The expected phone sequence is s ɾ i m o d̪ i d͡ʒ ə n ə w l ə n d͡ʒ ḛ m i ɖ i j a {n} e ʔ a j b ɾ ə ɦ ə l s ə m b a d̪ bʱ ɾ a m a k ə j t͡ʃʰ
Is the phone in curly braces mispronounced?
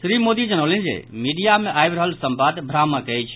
yes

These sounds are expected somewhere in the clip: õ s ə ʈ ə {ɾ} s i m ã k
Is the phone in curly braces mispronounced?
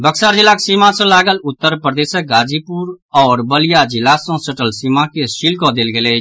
yes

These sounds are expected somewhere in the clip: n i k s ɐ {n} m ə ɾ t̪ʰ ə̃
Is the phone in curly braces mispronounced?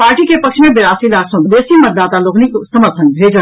yes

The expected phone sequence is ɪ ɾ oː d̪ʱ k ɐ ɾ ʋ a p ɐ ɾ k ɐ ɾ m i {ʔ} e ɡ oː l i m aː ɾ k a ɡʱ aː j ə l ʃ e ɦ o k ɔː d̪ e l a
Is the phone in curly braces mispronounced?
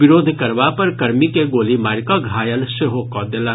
yes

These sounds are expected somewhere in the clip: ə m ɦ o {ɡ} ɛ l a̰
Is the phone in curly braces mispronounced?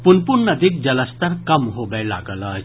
yes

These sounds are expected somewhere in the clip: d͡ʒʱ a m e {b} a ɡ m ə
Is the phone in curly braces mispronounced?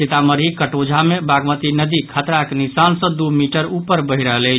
no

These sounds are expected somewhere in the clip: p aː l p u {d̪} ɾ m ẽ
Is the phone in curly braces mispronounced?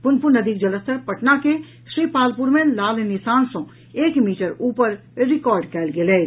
yes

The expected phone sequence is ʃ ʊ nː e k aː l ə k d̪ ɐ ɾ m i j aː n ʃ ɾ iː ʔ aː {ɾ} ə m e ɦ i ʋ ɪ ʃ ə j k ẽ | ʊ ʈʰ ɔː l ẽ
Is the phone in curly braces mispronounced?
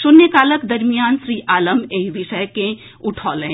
yes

